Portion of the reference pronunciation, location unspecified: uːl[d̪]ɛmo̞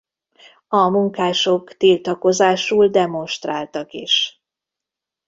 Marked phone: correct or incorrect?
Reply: correct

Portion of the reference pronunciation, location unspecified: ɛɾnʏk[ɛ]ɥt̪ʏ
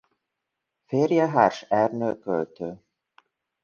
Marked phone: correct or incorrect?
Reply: incorrect: œ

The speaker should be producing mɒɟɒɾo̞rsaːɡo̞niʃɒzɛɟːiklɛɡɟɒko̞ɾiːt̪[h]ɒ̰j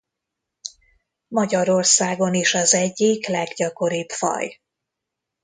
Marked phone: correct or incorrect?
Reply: incorrect: f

